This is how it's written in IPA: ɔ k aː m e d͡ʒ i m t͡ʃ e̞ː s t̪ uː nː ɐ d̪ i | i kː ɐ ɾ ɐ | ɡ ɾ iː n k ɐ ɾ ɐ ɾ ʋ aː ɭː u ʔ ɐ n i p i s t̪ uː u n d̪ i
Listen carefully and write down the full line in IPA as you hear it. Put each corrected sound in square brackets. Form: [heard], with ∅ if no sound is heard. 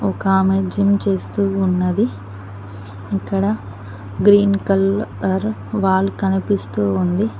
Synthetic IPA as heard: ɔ k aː m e d͡ʒ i m t͡ʃ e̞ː s t̪ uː nː ɐ d̪ i | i kː ɐ [ɽ] ɐ | ɡ ɾ iː n k ɐ [l] ɐ ɾ ʋ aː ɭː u [k] ɐ n i p i s t̪ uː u n d̪ i